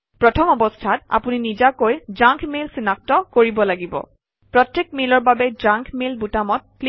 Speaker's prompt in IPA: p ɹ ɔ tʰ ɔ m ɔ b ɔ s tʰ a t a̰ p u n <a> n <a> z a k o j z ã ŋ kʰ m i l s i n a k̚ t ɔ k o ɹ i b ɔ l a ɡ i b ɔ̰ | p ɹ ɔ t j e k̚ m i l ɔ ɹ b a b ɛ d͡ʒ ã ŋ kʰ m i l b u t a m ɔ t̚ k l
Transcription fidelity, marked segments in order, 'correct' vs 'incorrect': incorrect: i, incorrect: i

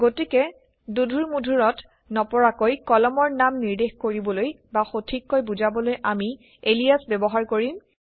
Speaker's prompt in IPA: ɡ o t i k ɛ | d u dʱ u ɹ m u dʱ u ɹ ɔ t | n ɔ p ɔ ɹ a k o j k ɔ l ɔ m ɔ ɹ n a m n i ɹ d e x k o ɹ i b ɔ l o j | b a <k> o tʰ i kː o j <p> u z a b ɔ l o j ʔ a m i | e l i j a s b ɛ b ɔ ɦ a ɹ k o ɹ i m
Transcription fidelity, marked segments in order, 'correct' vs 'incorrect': incorrect: x, incorrect: b

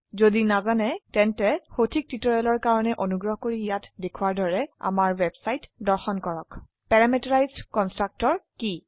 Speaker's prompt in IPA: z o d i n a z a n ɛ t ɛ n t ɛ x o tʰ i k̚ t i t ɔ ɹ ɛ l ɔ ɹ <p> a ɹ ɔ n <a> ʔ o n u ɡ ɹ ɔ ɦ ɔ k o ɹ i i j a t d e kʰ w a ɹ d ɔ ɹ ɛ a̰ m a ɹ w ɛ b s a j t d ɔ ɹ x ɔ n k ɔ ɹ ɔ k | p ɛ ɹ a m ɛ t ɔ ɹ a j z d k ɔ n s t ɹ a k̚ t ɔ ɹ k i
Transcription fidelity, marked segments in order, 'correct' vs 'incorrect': incorrect: k, incorrect: ɛ

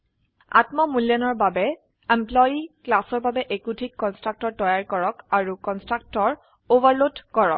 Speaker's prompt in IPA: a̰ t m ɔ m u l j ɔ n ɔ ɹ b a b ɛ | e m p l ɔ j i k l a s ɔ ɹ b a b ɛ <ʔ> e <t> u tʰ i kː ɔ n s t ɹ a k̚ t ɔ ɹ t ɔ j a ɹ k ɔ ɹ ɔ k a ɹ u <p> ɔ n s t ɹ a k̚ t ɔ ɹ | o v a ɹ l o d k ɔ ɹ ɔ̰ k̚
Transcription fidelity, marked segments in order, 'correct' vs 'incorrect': correct, incorrect: k, incorrect: k

